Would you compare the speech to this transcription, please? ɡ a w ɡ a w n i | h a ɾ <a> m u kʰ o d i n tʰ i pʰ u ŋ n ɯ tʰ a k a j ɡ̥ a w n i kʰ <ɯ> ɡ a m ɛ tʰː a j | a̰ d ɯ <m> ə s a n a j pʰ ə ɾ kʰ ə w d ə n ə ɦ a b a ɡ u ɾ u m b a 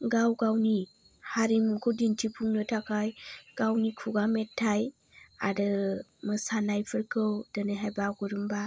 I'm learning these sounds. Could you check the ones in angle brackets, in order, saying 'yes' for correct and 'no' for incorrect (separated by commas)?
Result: no, no, yes